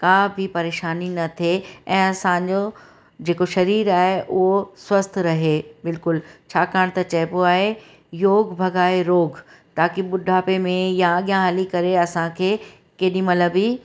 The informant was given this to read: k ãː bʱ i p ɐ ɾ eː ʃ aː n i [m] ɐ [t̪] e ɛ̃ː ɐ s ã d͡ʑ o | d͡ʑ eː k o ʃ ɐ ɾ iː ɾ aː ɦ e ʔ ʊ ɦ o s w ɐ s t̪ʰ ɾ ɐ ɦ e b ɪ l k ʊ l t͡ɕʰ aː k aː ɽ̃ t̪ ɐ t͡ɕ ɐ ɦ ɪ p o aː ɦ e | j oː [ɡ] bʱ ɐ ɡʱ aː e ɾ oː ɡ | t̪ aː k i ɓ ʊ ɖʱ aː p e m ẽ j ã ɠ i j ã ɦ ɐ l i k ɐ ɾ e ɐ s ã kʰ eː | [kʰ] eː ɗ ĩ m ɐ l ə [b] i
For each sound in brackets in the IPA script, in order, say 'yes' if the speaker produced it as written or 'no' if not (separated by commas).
no, no, yes, no, yes